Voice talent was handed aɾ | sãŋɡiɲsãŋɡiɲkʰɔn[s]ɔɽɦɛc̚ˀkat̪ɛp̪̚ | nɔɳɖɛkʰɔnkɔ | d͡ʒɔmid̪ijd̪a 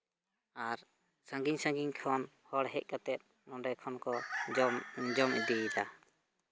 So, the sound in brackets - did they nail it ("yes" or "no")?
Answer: no